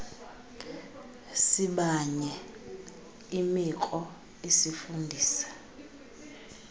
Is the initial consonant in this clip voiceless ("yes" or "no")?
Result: yes